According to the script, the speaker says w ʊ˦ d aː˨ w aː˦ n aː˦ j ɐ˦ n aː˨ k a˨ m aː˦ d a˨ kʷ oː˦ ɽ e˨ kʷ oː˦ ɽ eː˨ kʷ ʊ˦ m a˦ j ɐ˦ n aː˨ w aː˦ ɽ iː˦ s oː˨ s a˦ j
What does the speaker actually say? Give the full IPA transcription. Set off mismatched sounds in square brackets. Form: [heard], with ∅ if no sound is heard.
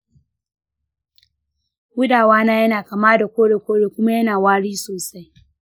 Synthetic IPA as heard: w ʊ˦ d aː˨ w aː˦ n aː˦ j ɐ˦ n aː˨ k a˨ m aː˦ d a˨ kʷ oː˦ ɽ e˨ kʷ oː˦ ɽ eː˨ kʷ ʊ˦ m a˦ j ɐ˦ n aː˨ w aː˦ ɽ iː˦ s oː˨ s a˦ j

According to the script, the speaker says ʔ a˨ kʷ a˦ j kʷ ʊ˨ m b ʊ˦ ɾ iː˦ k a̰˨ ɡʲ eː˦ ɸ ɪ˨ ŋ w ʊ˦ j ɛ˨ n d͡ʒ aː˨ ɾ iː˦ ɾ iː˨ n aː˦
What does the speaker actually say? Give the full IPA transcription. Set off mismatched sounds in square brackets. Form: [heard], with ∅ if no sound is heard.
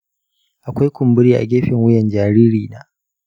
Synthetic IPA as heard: ʔ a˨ kʷ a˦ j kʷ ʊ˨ m b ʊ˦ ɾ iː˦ [ʔ] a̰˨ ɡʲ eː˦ ɸ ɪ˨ ŋ w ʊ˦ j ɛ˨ n d͡ʒ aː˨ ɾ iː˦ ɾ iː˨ n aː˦

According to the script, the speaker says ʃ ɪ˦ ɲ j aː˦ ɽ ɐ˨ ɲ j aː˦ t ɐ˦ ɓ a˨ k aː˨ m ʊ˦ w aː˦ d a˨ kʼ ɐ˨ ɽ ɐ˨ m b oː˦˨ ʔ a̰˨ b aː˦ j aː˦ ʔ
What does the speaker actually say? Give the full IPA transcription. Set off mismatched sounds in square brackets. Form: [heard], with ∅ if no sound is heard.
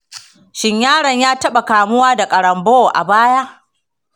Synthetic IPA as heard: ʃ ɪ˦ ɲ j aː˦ ɽ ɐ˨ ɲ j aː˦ t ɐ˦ ɓ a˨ k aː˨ m ʊ˦ w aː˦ d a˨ kʼ ɐ˨ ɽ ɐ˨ m b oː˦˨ ʔ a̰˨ b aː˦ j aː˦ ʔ

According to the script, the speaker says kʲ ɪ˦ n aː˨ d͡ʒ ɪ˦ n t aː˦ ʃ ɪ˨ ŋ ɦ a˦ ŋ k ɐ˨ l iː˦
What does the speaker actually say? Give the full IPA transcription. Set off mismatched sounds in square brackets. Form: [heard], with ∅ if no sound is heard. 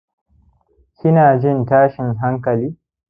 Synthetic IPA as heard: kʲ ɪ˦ n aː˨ d͡ʒ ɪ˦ n t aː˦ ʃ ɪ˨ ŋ ɦ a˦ ŋ k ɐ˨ l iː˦

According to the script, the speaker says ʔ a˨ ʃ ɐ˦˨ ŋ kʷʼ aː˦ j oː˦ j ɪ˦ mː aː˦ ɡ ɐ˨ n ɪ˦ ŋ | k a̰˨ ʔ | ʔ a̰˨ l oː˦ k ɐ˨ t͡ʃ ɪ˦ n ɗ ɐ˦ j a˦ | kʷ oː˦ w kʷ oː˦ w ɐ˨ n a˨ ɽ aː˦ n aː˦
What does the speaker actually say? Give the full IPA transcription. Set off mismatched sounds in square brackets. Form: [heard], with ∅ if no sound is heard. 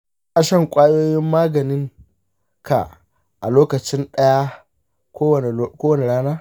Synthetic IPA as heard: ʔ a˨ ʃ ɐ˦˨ ŋ kʷʼ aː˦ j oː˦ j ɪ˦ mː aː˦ ɡ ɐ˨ n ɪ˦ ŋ | k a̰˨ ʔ | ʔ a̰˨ l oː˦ k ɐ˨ t͡ʃ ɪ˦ n ɗ ɐ˦ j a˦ | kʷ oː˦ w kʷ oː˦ w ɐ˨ n [e˨] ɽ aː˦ n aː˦

